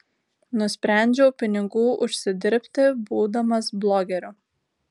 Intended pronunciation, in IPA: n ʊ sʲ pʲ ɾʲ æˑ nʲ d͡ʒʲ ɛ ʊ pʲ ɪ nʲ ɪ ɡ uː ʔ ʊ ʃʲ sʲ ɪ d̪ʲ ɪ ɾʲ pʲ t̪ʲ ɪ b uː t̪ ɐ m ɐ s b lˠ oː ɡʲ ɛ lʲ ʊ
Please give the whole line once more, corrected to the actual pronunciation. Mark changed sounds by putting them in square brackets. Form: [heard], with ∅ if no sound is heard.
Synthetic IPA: n ʊ sʲ pʲ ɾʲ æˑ nʲ d͡ʒʲ ɛ ʊ pʲ ɪ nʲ ɪ ɡ uː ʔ ʊ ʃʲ sʲ ɪ d̪ʲ ɪ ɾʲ pʲ t̪ʲ ɪ b uː [d̪] ɐ m ɐ s b lˠ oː ɡʲ ɛ [ɾʲ] ʊ